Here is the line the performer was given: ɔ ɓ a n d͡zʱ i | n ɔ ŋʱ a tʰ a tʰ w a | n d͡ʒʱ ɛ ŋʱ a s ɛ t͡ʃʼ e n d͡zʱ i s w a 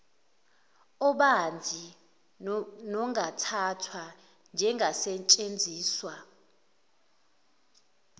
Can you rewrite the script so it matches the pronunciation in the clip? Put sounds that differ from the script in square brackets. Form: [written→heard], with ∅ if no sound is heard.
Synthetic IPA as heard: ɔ ɓ a n d͡zʱ i | n ɔ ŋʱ a tʰ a tʰ w a | n d͡ʒʱ ɛ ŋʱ a s ɛ t͡ʃʼ e n d͡zʱ [i→iː] s w a